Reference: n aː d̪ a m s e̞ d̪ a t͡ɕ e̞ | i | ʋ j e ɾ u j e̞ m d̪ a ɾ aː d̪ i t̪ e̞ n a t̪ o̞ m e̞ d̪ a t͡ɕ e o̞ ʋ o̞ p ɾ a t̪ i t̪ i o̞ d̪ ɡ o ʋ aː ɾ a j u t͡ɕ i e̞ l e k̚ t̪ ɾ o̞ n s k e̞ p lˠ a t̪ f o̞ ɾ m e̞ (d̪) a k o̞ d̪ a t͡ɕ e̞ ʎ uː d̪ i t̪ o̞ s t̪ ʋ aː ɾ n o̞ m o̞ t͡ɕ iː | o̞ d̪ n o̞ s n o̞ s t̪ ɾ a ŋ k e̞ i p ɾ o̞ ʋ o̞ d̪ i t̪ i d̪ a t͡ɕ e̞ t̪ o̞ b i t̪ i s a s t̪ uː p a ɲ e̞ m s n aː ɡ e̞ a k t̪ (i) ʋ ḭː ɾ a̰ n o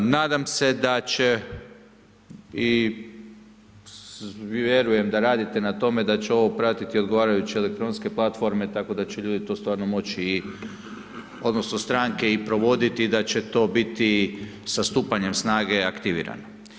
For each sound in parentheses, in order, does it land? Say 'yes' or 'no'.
no, yes

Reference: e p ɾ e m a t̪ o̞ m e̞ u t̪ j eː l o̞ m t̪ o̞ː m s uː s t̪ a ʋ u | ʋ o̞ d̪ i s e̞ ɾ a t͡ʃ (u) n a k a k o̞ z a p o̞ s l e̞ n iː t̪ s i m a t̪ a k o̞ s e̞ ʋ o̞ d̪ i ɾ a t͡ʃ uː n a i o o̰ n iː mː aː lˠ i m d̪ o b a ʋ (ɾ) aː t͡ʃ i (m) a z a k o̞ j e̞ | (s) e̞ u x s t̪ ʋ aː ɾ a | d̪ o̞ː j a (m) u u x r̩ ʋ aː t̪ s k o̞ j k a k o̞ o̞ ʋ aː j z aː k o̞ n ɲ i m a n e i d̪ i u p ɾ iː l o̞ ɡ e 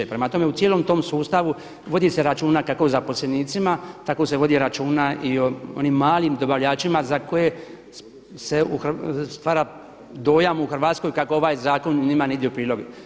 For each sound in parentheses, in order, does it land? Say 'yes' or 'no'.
no, no, yes, yes, yes

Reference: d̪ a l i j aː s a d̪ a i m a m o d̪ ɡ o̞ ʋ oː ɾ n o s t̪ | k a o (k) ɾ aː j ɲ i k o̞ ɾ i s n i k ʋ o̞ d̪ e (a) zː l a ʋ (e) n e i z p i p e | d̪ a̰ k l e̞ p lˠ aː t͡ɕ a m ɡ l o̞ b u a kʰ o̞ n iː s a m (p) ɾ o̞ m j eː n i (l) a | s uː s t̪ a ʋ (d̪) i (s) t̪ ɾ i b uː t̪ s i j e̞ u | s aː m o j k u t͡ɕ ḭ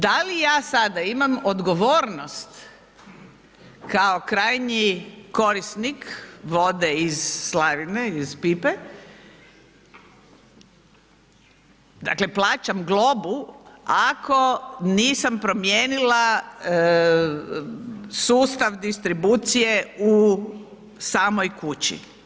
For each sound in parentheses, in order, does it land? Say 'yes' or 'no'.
yes, no, no, yes, yes, yes, yes

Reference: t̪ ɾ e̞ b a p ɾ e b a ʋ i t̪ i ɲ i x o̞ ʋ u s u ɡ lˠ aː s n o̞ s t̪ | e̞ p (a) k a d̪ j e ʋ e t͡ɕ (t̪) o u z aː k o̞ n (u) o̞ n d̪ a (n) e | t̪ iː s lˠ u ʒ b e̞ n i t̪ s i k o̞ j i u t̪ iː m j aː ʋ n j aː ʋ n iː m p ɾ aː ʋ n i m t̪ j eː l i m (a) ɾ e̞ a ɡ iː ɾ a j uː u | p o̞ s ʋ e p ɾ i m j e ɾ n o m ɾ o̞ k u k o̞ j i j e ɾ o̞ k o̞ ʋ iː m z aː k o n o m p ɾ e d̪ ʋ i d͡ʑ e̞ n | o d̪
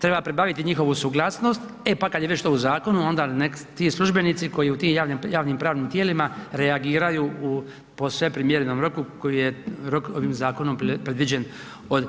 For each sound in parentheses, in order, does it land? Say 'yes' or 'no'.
yes, yes, yes, yes, yes

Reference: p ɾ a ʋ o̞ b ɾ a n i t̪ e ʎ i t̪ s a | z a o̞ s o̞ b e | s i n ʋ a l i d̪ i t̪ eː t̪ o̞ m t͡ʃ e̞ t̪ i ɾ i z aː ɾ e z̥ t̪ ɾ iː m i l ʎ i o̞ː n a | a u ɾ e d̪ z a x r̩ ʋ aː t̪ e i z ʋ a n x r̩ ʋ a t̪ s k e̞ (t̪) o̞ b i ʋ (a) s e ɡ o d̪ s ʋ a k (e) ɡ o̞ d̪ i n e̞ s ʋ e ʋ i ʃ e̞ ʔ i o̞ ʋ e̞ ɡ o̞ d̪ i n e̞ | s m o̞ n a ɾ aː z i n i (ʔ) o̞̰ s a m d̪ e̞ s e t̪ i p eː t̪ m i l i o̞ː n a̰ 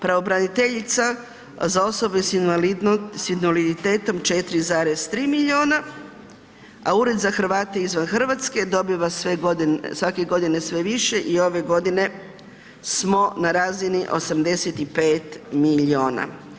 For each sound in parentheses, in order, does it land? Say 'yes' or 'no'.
no, yes, yes, yes

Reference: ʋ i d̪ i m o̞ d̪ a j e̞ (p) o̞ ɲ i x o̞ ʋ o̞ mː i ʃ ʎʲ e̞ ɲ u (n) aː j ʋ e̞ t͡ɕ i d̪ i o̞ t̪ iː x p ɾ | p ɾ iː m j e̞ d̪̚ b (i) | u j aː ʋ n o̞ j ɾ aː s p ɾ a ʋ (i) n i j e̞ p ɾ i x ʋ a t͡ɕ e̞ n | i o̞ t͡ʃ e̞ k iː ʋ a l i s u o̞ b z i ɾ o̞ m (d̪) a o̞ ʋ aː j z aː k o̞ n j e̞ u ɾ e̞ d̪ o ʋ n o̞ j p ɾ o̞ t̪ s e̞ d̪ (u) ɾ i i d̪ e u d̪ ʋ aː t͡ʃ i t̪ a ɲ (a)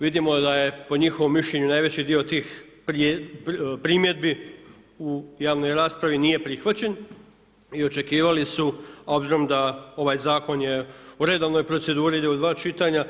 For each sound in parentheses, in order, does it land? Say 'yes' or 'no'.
yes, yes, yes, yes, yes, no, yes

